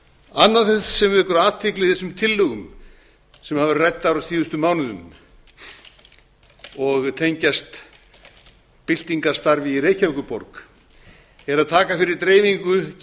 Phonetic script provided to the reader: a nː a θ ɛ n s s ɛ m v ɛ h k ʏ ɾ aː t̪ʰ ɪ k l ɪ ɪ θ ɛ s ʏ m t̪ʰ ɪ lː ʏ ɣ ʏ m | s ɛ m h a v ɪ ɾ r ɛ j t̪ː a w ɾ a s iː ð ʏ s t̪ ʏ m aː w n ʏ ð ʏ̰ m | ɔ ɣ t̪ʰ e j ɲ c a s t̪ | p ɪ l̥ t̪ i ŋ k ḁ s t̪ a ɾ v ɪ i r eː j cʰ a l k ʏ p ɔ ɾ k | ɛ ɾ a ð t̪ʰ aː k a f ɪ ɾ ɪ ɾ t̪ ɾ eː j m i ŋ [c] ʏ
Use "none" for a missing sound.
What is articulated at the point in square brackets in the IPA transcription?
k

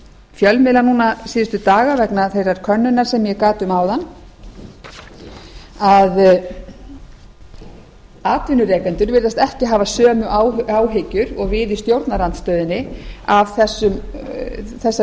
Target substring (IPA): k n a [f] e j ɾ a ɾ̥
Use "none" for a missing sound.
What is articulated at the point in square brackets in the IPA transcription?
θ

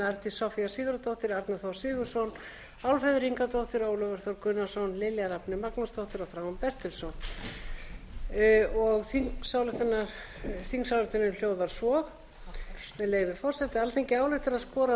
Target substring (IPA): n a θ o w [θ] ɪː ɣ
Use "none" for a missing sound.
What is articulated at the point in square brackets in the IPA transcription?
s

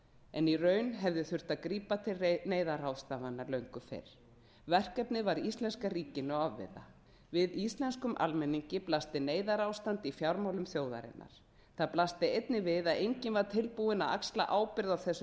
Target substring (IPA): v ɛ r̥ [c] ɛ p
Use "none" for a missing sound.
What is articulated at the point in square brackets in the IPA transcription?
k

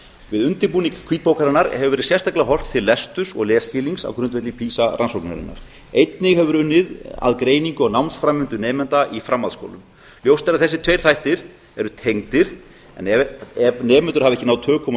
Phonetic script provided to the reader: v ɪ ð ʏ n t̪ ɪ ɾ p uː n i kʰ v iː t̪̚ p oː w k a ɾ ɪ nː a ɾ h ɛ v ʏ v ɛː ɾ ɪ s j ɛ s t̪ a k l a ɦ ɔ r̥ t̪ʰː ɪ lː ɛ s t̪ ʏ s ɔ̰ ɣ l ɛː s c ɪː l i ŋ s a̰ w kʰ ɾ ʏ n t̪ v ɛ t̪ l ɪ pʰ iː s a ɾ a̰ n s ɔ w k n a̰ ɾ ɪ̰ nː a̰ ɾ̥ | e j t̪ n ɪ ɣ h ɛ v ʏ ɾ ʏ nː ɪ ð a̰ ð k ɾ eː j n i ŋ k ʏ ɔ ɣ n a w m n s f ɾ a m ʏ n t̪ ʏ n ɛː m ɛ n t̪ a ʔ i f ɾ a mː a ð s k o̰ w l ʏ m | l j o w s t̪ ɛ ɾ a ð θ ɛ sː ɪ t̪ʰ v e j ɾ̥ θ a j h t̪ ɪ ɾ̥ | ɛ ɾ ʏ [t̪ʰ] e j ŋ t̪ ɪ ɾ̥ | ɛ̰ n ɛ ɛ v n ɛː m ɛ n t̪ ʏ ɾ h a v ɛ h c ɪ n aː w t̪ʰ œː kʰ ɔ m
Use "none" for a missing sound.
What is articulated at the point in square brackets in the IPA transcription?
t̪ʰ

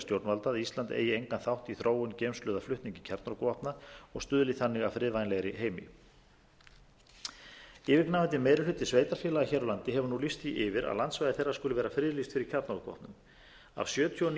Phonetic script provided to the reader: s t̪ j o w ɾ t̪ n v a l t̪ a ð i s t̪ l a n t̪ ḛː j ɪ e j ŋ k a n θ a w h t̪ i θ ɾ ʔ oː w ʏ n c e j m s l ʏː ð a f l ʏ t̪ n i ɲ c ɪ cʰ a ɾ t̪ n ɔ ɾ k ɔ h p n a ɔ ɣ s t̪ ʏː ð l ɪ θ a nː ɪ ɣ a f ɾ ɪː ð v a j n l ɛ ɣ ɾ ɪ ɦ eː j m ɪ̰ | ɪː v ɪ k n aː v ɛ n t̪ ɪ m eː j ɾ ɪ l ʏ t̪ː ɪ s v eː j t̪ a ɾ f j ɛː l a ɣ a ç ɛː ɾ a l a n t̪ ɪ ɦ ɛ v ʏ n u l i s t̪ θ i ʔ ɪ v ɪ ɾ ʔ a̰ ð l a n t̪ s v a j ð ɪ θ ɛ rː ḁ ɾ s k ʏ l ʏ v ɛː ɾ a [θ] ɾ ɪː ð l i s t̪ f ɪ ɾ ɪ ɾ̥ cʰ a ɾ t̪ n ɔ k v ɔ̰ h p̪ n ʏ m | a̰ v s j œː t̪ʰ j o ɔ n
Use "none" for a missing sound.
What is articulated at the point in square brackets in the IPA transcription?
f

